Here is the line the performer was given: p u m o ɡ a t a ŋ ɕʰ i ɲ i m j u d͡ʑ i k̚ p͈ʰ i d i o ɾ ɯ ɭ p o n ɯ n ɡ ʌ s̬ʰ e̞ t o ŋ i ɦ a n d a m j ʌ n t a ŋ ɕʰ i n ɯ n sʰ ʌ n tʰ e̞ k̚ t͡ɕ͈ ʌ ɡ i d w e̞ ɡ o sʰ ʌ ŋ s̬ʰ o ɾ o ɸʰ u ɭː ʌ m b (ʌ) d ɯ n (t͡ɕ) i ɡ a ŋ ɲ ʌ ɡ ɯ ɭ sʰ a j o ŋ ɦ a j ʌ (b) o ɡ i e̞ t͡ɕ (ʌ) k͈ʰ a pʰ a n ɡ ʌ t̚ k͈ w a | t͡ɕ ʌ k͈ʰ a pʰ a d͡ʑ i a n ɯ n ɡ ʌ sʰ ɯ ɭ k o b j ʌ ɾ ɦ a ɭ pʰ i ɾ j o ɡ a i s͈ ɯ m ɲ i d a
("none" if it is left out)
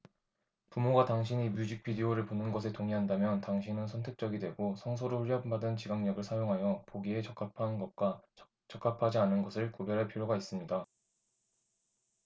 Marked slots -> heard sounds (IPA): a, t͡ɕ, p, ʌ

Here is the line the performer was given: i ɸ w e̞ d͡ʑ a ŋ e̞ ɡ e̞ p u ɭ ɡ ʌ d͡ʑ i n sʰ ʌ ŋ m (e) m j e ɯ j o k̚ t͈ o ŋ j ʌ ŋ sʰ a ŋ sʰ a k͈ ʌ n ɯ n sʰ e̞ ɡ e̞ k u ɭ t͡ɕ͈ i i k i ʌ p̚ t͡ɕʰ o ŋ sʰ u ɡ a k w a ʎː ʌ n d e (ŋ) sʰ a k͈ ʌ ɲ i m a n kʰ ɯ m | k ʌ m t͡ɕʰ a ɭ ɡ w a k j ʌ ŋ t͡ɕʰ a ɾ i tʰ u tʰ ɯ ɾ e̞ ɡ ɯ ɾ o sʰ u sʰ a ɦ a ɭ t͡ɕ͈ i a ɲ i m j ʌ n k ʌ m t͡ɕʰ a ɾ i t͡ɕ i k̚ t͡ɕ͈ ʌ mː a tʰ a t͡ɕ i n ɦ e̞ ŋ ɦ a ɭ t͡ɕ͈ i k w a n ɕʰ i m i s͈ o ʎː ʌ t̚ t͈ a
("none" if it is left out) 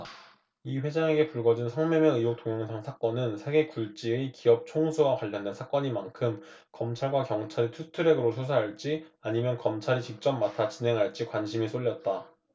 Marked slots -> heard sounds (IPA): e, n

